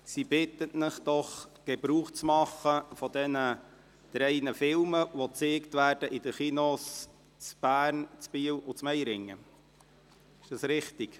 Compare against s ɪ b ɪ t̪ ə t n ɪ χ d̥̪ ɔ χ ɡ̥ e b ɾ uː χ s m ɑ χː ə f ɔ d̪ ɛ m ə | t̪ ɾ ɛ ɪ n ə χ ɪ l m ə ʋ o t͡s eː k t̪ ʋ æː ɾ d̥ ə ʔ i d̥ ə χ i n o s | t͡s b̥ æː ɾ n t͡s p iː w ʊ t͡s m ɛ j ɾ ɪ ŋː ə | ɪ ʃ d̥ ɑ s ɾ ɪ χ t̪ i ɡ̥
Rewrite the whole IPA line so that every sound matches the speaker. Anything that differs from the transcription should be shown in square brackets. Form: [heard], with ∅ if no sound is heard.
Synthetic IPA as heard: s [i] b ɪ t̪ ə t n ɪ χ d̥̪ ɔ χ ɡ̥ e b ɾ uː χ [t͡s] m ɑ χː ə f ɔ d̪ ɛ [n] ə | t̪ ɾ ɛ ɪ n ə [f] ɪ l m ə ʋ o t͡s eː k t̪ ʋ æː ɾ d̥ ə ʔ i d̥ ə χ i n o s | t͡s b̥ æː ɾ n t͡s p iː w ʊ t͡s m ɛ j ɾ ɪ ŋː ə | ɪ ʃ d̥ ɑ s ɾ ɪ χ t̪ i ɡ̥